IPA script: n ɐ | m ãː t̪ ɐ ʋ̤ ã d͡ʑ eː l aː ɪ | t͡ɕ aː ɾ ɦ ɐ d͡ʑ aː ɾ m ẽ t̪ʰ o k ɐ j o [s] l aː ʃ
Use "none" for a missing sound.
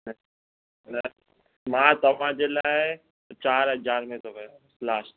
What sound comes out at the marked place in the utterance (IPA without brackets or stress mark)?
s